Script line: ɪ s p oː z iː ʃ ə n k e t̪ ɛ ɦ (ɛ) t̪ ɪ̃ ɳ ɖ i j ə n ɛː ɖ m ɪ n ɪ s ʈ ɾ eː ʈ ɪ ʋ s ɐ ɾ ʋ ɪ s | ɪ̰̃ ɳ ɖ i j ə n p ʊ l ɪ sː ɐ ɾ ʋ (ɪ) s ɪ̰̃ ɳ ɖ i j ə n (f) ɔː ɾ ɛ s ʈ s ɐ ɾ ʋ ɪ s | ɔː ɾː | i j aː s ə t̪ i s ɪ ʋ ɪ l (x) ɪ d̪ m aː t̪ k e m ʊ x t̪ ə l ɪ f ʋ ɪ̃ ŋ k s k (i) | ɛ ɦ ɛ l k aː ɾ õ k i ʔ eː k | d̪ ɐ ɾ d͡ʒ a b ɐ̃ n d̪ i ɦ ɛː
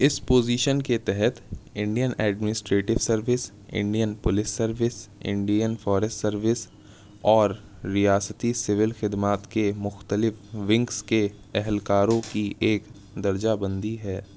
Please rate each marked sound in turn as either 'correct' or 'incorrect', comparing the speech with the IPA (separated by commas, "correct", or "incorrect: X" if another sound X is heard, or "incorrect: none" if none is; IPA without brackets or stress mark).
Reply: correct, correct, correct, correct, incorrect: e